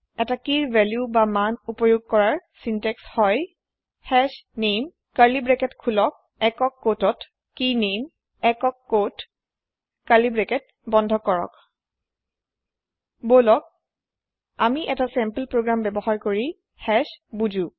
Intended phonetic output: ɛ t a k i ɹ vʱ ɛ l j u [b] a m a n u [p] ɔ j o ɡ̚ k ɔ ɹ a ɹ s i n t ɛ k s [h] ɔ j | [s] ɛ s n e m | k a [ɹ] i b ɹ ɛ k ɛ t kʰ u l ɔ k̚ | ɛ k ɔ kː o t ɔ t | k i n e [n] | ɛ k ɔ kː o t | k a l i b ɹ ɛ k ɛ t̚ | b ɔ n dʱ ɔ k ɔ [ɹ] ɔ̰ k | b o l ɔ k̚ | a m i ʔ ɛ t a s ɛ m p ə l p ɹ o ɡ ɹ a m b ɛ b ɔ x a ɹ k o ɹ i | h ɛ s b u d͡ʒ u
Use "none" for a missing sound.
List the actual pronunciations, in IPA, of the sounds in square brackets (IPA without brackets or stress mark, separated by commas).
b, p, h, h, l, m, ɹ